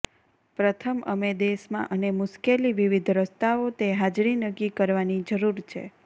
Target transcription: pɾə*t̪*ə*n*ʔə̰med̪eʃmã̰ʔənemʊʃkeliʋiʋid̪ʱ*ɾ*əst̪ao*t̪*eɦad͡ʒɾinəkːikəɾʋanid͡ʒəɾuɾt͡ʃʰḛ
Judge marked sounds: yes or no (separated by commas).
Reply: no, no, yes, yes